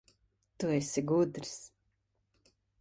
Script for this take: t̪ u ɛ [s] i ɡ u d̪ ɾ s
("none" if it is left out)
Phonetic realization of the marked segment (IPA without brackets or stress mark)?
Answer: s